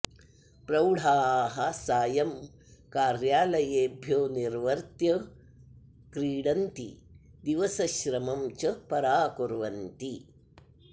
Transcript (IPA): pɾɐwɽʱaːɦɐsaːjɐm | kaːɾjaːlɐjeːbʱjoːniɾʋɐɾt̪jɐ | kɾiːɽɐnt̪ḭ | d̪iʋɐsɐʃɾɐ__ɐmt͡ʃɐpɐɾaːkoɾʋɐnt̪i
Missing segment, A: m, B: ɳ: A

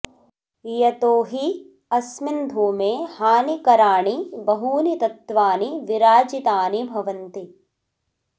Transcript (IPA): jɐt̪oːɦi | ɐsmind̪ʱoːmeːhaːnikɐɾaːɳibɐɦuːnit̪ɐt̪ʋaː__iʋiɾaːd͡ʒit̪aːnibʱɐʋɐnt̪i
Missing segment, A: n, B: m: A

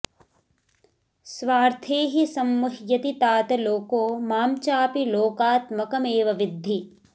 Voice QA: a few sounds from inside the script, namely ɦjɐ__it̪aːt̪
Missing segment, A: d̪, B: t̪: B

